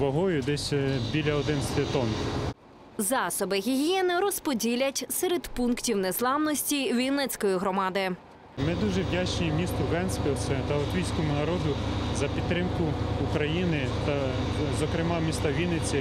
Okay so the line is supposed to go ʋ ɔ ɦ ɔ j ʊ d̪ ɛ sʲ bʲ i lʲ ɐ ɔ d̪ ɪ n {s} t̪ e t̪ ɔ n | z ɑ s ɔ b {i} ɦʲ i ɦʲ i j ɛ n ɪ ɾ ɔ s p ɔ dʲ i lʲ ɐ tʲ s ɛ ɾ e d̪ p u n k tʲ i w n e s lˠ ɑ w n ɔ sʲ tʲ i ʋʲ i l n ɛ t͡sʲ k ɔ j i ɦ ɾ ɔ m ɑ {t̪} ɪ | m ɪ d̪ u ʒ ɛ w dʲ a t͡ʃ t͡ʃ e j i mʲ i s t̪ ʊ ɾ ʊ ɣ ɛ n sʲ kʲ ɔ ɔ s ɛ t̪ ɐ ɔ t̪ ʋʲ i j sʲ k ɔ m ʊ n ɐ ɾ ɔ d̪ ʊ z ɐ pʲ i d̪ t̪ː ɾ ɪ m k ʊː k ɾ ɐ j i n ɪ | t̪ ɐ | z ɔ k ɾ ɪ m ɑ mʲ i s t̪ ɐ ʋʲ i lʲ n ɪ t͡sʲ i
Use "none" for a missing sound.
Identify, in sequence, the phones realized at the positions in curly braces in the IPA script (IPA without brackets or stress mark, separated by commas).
s, ɪ, d̪